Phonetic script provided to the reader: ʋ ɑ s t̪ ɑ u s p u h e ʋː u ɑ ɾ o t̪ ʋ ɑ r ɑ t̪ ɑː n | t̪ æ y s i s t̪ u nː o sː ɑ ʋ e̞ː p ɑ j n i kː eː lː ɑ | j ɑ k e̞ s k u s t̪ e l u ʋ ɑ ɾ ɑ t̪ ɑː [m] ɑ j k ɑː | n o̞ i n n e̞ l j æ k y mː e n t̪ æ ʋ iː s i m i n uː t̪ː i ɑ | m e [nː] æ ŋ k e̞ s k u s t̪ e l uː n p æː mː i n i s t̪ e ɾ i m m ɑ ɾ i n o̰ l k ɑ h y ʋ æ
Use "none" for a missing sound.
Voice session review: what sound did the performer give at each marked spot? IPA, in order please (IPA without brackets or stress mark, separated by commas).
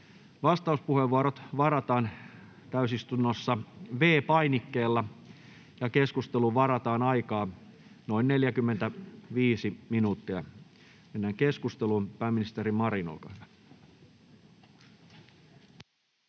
n, nː